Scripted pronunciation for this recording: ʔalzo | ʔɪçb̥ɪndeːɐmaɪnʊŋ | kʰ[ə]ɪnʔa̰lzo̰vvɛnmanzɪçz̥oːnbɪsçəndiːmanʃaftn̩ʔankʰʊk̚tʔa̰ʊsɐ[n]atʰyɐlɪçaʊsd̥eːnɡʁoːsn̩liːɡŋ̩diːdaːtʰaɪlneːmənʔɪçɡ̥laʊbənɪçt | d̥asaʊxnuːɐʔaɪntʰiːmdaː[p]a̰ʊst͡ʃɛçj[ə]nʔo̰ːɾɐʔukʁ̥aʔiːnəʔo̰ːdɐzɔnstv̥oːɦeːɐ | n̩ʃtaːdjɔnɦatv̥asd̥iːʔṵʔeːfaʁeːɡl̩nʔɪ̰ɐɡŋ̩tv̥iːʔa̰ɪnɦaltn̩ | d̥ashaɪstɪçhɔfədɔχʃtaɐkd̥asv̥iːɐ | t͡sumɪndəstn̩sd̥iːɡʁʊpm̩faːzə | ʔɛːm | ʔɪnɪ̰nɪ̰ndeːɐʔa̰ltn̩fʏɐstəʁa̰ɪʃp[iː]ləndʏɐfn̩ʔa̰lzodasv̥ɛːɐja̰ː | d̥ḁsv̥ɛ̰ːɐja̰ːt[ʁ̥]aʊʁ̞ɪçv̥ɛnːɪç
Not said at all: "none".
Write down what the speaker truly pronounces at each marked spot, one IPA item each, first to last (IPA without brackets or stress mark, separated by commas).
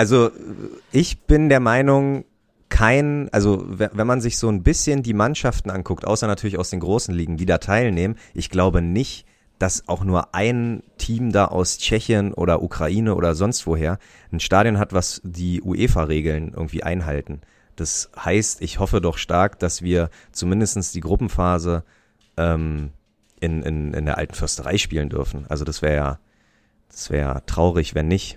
a, n, ʔ, ə, iː, ʁ̥